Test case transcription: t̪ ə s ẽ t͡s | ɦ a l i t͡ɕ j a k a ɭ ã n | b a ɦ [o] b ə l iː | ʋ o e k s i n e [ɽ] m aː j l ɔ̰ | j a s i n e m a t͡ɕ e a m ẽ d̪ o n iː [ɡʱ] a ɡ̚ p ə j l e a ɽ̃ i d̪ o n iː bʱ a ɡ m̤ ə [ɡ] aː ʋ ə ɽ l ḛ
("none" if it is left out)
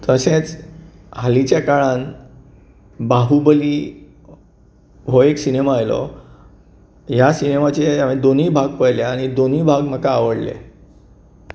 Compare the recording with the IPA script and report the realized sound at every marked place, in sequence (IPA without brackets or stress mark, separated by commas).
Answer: u, none, bʱ, k